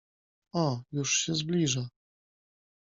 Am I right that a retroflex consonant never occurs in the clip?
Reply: no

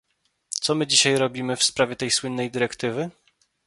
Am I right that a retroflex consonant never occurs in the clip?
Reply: yes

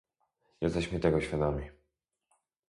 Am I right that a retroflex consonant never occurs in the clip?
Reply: yes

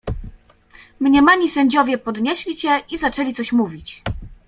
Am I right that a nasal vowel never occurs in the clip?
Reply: yes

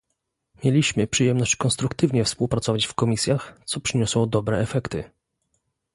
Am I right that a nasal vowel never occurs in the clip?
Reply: yes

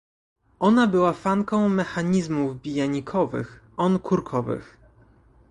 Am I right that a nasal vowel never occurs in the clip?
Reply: no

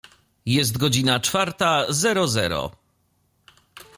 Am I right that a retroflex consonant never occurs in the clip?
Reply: no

